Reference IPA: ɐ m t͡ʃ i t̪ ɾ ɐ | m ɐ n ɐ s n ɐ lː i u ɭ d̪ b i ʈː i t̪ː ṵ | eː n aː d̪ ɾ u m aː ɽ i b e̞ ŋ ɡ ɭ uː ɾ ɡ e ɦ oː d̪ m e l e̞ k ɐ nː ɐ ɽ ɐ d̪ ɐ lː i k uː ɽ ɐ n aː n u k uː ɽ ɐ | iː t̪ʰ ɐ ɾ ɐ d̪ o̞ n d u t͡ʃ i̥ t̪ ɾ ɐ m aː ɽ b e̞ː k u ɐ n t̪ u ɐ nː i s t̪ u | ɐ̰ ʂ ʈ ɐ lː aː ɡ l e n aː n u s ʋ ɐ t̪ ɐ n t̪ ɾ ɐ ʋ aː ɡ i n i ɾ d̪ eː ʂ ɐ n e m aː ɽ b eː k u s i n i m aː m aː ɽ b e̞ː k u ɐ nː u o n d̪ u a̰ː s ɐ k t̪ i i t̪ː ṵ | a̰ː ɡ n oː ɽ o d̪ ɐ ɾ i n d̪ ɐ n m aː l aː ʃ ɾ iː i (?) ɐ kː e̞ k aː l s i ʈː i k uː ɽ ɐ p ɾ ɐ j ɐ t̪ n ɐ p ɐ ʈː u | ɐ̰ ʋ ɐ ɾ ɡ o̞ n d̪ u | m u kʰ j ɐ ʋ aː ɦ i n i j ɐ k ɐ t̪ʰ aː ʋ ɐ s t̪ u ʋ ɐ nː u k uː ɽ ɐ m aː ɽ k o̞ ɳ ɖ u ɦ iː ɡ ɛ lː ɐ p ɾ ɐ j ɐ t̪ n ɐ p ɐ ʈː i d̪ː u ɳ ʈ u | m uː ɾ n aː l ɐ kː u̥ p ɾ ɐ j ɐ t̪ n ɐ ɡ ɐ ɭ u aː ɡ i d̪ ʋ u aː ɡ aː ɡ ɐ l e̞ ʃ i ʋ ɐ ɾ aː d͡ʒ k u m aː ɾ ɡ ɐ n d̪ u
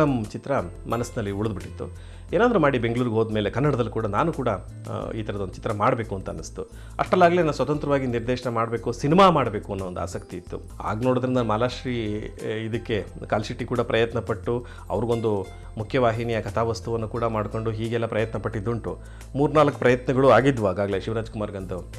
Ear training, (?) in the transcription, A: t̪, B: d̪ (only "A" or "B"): B